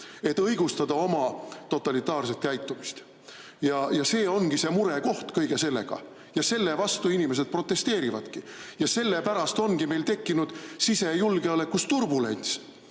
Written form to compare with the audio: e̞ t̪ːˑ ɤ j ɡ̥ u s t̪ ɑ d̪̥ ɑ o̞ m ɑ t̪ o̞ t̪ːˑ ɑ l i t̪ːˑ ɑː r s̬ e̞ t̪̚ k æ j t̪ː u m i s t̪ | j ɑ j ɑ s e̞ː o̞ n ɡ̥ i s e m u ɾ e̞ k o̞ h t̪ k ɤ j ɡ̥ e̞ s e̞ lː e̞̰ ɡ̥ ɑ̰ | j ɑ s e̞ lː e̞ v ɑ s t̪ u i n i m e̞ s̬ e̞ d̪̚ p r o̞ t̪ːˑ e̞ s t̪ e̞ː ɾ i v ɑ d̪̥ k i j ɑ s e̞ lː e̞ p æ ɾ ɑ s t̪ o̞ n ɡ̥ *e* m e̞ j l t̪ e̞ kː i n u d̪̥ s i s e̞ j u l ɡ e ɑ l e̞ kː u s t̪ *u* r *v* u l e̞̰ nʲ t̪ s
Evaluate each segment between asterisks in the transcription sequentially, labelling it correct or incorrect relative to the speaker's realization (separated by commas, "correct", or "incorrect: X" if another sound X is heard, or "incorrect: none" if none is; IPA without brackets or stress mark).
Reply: incorrect: i, correct, incorrect: b